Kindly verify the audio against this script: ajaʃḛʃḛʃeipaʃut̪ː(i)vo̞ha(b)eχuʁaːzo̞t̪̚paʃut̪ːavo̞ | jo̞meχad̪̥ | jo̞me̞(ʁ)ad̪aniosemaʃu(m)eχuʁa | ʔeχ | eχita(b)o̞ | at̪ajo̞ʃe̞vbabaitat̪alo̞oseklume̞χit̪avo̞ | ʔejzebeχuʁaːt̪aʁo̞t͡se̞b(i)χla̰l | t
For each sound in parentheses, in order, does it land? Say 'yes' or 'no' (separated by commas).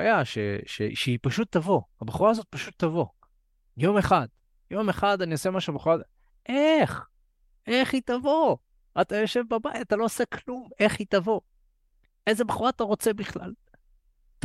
no, yes, no, no, no, yes